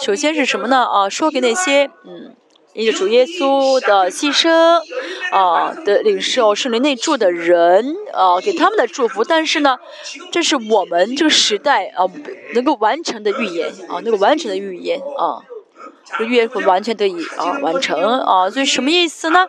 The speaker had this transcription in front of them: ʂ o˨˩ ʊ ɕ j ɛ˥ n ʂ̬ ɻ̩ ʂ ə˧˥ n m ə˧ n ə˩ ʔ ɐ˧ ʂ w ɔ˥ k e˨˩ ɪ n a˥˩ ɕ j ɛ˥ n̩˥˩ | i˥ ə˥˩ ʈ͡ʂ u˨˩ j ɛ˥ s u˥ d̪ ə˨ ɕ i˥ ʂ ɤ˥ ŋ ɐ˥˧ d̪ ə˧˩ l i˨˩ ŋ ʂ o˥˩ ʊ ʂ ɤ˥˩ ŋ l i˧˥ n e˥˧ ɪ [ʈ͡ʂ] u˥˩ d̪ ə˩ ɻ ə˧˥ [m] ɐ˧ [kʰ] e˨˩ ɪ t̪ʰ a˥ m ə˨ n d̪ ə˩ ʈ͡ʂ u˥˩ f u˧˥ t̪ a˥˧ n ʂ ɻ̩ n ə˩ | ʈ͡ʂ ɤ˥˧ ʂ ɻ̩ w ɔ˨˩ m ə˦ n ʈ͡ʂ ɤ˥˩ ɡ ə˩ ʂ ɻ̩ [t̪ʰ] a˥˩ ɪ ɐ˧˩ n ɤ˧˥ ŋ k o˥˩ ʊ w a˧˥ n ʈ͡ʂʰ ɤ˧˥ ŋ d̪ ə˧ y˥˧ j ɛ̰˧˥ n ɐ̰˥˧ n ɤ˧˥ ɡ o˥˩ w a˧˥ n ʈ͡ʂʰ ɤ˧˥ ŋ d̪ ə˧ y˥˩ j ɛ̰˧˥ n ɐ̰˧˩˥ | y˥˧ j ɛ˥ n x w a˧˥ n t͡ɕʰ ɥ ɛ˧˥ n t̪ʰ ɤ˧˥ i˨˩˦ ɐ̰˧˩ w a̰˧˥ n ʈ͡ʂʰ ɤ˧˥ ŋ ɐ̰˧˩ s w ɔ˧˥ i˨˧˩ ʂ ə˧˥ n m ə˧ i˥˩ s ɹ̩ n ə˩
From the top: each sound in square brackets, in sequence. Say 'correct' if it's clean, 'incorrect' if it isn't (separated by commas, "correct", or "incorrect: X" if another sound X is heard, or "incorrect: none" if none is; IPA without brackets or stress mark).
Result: correct, incorrect: n, incorrect: k, incorrect: t̪